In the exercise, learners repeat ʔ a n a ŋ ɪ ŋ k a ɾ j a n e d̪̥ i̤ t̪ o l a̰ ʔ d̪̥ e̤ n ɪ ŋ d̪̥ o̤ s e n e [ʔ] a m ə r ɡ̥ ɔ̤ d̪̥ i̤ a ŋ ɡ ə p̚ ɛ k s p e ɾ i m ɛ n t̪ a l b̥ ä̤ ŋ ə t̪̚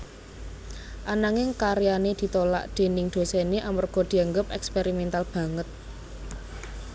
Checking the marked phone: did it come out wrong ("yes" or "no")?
no